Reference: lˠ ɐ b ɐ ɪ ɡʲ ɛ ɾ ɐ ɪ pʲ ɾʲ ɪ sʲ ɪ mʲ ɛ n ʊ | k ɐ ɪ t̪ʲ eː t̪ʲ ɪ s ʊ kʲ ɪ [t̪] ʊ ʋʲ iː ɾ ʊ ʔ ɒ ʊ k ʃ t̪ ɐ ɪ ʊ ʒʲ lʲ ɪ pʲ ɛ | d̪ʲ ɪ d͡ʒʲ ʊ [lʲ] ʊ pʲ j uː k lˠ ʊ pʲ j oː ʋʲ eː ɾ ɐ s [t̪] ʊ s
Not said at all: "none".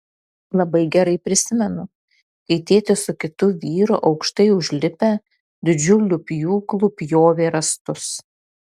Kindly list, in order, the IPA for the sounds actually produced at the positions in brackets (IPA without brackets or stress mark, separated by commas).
t̪, lʲ, t̪